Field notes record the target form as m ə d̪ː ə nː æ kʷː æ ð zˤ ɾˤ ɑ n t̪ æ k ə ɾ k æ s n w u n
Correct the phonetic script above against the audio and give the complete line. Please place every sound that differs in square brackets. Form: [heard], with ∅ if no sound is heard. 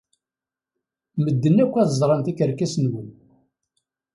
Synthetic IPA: m ə d̪ː ə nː æ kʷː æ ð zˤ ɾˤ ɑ n t̪ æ k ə ɾ k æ s n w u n